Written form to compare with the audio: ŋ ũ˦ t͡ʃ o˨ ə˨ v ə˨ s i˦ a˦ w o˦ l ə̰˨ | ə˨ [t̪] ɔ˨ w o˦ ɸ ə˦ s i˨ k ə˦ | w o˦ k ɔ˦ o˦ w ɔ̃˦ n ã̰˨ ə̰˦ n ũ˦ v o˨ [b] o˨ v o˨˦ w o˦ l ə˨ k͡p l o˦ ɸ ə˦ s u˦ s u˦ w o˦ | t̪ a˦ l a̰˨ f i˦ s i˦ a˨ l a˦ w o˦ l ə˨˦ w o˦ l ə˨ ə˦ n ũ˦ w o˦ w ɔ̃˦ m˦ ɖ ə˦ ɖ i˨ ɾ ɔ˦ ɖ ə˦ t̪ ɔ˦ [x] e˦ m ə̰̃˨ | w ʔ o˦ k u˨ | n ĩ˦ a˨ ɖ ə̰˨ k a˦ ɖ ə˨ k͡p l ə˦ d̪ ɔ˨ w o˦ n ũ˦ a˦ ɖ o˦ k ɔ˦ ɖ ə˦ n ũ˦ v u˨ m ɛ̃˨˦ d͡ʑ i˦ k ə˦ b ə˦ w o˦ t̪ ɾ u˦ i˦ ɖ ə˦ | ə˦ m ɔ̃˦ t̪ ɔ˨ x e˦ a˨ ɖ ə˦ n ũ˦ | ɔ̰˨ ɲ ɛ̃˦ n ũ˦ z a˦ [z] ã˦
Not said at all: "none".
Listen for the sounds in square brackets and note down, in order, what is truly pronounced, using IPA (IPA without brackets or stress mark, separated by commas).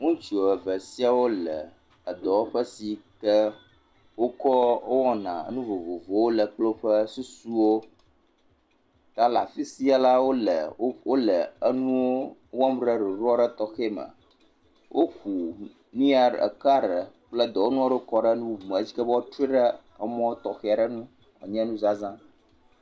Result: d̪, v, x, z